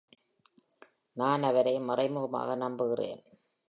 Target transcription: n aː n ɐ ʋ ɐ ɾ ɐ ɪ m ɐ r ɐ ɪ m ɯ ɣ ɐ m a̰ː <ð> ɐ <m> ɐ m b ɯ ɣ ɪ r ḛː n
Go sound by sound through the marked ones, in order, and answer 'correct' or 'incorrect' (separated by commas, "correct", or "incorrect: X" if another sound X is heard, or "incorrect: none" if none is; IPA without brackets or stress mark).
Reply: incorrect: ɣ, incorrect: n